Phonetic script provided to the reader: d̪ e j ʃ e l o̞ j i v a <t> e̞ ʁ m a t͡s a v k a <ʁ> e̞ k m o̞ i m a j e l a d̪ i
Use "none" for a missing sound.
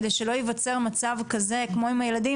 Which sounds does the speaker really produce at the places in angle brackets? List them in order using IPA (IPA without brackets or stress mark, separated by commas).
t͡s, z